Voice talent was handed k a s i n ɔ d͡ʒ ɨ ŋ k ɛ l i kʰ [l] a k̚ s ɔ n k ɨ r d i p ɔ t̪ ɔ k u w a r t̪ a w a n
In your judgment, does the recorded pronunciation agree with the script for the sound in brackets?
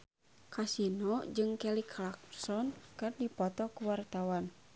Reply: yes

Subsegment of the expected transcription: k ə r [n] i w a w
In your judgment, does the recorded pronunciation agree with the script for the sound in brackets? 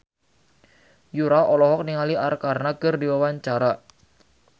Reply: no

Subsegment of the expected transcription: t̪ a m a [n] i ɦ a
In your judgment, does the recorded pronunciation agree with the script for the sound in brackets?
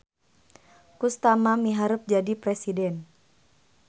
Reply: no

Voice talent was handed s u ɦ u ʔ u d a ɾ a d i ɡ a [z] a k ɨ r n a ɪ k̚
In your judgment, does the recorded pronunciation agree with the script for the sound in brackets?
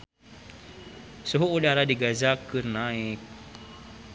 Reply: yes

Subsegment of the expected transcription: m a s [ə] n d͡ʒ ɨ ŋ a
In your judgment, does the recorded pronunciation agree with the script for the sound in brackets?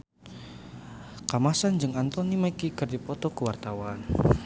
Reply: no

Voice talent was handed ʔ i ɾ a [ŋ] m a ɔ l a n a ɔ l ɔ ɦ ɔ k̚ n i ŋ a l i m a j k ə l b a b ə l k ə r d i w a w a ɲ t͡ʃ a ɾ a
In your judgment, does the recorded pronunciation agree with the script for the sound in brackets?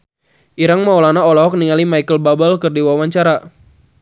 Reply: yes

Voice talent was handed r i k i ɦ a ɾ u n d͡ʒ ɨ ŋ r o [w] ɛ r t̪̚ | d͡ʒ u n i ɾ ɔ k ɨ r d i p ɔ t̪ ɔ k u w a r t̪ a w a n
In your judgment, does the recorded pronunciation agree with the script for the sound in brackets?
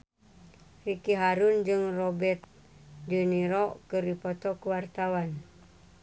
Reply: no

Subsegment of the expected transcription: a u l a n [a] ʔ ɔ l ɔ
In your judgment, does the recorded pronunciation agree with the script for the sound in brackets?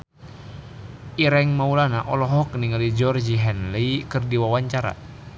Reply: yes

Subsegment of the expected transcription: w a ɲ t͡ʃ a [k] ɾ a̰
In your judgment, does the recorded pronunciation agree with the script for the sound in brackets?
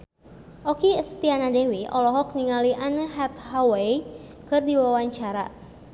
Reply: no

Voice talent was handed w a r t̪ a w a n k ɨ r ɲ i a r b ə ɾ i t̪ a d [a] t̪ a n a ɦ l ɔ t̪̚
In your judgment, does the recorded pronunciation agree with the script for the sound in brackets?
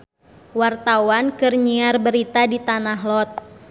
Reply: no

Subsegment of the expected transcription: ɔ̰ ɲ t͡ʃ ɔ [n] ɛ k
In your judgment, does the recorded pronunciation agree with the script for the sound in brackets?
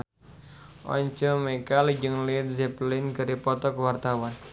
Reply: no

